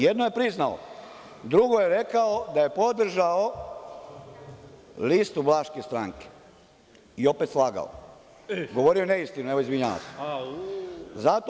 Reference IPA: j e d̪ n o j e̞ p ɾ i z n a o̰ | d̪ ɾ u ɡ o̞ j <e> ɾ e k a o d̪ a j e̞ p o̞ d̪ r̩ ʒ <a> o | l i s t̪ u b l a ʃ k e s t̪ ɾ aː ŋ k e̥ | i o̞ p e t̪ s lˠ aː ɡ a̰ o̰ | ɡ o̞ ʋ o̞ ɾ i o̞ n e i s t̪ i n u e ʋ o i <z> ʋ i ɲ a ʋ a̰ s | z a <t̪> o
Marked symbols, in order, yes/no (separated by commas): yes, yes, yes, yes